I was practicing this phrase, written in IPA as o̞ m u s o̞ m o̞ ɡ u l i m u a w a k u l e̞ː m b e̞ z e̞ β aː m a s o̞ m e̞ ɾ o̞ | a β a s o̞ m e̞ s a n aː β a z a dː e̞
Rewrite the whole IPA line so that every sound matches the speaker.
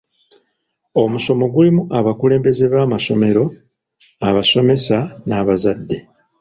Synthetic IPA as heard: o̞ m u s o̞ m o̞ ɡ u l i m u a β a k u l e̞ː m b e̞ z e̞ β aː m a s o̞ m e̞ ɾ o̞ | a β a s o̞ m e̞ s a n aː β a z a dː e̞